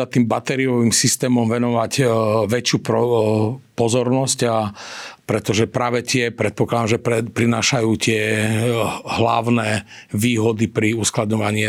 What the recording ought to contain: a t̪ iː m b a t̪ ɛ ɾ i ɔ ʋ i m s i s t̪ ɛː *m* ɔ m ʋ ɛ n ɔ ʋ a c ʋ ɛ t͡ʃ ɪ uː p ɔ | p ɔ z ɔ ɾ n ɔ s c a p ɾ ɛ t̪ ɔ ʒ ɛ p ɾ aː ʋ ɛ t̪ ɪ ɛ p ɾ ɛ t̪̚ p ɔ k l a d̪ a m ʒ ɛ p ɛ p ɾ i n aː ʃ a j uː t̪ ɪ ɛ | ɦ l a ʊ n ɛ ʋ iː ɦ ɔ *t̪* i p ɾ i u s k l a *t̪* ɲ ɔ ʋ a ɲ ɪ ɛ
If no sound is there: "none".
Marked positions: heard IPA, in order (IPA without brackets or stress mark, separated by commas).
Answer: m, d̪, d̪